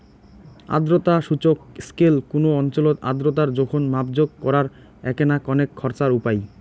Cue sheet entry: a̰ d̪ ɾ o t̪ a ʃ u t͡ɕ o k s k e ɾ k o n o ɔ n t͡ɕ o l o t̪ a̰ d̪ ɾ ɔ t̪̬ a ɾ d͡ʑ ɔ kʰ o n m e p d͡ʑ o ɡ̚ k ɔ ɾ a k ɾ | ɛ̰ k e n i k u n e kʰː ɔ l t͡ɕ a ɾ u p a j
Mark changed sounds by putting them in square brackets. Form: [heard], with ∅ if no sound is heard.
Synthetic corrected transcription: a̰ d̪ ɾ o t̪ a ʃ u t͡ɕ o k s k e [l] k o n o ɔ n t͡ɕ o l o t̪ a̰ d̪ ɾ [o] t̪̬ a ɾ d͡ʑ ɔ kʰ o n m [a] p d͡ʑ o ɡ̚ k ɔ ɾ a [∅] ɾ | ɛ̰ k e n [a] k [ɔ] n e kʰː ɔ [ɾ] t͡ɕ a ɾ u p a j